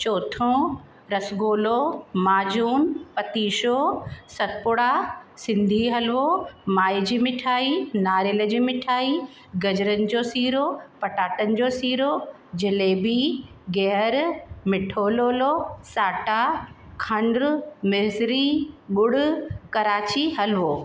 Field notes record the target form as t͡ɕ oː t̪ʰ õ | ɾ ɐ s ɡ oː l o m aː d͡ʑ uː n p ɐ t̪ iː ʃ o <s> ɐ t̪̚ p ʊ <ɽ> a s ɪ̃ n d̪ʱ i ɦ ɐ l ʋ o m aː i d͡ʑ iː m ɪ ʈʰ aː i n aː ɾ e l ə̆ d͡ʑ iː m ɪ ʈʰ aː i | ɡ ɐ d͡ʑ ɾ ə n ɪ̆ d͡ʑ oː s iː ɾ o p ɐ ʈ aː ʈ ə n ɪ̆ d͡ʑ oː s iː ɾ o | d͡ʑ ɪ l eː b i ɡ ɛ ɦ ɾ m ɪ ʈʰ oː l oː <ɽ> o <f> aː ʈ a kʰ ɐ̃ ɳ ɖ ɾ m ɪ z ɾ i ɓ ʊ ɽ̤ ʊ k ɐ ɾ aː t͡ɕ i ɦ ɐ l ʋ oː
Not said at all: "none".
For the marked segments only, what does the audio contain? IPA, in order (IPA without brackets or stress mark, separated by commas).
s, ɽ, l, s